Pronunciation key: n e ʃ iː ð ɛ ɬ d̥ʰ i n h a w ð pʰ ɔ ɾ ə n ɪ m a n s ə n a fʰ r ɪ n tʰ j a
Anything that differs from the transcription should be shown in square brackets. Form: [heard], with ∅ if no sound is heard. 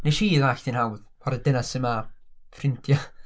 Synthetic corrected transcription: n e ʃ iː ð [a] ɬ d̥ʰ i n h a w ð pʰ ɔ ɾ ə [d] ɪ [n] a [∅] s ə [m] a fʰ r ɪ n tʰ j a

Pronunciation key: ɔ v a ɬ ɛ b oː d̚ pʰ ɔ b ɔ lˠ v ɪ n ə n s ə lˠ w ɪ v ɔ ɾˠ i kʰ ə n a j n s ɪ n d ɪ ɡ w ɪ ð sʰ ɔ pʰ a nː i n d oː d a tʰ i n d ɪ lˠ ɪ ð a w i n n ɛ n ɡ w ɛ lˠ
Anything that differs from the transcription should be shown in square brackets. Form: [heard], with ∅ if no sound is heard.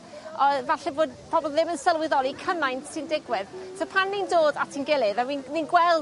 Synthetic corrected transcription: ɔ v a ɬ ɛ b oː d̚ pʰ ɔ b ɔ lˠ [ð] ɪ [m] ə n s ə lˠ w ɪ [ð] ɔ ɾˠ i kʰ ə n a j n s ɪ n d ɪ ɡ w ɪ ð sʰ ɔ pʰ a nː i n d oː d a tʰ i n [ɡ] ɪ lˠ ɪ ð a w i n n [i] n ɡ w ɛ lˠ

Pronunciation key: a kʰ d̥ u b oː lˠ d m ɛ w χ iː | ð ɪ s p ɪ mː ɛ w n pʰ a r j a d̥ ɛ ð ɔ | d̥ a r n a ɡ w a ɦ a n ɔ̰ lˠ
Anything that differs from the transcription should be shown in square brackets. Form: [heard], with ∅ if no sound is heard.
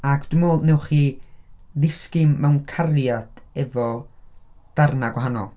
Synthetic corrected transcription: a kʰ d̥ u [m] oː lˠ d [n] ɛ w χ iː | ð ɪ s [k] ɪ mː ɛ w n [kʰ] a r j a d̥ ɛ [v] ɔ | d̥ a r n a ɡ w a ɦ a n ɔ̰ lˠ

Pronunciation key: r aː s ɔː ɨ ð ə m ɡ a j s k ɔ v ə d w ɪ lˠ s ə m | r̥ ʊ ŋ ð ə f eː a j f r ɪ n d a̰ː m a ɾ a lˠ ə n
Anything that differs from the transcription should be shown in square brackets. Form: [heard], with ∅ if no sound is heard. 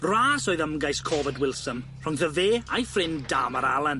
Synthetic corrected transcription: r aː s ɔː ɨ ð ə m ɡ a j s [kʰ] ɔ v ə d w ɪ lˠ s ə m | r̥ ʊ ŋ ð ə [v] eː a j f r ɪ n d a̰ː m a ɾ a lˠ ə n

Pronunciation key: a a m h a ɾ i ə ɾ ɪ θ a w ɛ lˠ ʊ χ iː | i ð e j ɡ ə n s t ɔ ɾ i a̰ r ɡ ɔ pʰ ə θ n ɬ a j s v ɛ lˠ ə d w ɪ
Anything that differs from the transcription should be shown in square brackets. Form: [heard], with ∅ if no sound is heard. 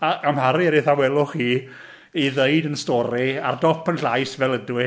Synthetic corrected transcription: a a m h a ɾ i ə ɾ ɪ θ a w ɛ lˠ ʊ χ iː | i ð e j [d] ə n s t ɔ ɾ i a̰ r [d] ɔ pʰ ə [∅] n ɬ a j s v ɛ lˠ ə d w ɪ

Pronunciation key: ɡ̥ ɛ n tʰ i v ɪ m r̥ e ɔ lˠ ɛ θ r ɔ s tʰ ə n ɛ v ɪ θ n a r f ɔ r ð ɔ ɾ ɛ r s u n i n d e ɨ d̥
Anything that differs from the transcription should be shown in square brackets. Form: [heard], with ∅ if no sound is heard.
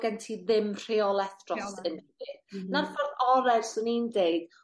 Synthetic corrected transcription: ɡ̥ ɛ n tʰ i [ð] ɪ m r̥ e ɔ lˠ ɛ θ r ɔ s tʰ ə n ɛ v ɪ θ n a r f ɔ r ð ɔ ɾ ɛ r s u n i n d e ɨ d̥

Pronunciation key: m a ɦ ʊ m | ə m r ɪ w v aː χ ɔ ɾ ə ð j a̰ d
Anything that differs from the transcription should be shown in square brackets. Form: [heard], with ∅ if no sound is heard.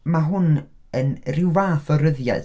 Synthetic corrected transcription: m a ɦ ʊ [n] | ə [n] r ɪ w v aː [θ] ɔ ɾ ə ð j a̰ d

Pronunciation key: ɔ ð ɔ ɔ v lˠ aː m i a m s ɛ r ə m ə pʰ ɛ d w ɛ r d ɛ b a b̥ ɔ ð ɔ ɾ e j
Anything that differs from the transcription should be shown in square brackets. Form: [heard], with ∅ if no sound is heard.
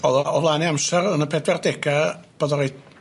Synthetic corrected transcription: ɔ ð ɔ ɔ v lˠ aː [n] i a m s ɛ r ə [n] ə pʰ ɛ d w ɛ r d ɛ [ɡ] a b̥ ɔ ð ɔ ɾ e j

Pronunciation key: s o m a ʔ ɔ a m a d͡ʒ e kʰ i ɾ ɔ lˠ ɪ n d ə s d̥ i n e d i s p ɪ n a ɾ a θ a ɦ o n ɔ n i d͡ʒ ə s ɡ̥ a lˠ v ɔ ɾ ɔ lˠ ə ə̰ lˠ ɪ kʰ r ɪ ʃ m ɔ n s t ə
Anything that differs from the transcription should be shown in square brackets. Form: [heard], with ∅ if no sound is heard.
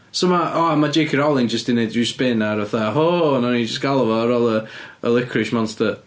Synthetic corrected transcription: s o m a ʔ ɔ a m a d͡ʒ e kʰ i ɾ ɔ lˠ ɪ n [d͡ʒ] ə s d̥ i n e d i s p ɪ n a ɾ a θ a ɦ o n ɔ n i d͡ʒ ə s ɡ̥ a lˠ v ɔ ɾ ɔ lˠ ə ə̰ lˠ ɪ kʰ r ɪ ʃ m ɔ n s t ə

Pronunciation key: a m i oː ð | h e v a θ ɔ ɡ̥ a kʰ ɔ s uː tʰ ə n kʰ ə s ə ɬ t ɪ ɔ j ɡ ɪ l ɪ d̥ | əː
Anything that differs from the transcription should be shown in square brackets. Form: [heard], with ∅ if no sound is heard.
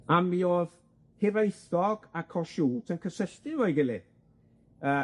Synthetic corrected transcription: a m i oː ð | h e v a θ ɔ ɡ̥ a kʰ ɔ [ʃ] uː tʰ ə n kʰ ə s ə ɬ t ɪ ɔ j ɡ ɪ l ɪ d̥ | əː

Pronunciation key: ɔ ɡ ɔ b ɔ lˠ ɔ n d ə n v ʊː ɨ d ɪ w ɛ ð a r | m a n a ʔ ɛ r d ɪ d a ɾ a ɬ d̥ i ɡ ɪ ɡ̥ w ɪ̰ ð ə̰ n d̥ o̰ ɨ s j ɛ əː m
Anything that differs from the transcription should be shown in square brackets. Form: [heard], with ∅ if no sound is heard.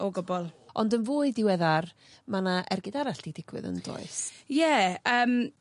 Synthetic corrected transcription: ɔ ɡ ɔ b ɔ lˠ ɔ n d ə n v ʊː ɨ d ɪ w ɛ ð a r | m a n a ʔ ɛ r [ɡ] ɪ d a ɾ a ɬ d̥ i [d] ɪ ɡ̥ w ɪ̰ ð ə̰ n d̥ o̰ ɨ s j ɛ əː m

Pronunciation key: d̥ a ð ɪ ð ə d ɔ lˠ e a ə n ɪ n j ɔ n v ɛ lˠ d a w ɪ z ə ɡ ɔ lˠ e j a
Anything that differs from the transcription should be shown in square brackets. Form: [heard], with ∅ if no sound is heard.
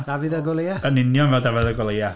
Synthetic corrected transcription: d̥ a [v] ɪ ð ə [ɡ] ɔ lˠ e a ə n ɪ n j ɔ n v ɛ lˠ d a [v] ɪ [ð] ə ɡ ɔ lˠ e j a

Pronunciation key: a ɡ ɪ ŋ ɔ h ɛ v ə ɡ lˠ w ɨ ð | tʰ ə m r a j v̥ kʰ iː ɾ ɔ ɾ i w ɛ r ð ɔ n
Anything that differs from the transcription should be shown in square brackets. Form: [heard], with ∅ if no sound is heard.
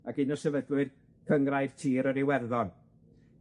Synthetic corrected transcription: a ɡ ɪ [n] ɔ [s] ɛ v ə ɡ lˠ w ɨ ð | [kʰ] ə [ŋ] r a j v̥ [tʰ] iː ɾ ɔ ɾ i w ɛ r ð ɔ n

